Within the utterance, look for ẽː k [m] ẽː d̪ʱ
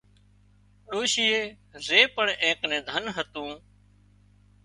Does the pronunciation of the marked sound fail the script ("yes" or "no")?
yes